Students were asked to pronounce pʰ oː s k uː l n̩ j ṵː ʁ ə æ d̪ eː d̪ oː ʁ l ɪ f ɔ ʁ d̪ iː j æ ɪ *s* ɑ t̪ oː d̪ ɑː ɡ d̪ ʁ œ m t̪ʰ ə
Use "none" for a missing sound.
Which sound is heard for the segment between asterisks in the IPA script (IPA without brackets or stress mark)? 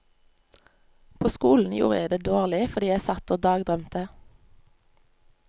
s